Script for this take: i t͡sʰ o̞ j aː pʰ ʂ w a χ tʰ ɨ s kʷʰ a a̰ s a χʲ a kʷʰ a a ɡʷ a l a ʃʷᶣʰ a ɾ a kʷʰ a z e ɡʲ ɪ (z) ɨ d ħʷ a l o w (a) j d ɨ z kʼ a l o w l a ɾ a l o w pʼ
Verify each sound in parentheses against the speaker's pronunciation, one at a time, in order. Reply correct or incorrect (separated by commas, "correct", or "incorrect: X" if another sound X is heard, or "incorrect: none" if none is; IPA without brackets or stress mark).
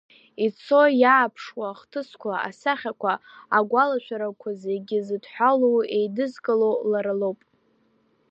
correct, incorrect: e